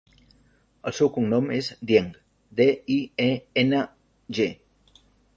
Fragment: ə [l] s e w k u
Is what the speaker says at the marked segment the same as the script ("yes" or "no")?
yes